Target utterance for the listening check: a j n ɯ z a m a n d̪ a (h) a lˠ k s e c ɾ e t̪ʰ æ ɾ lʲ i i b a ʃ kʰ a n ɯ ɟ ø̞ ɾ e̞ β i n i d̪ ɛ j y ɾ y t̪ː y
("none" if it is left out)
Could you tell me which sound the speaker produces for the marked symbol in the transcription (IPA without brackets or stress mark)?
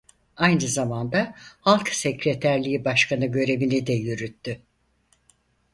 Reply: h